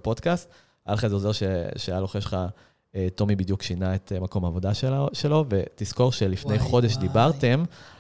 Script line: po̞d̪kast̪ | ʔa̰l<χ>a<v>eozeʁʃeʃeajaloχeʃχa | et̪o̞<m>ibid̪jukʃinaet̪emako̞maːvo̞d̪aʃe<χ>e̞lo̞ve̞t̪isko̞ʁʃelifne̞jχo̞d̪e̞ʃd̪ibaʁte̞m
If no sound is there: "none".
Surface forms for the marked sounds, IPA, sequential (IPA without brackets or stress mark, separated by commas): χ, z, m, ʃ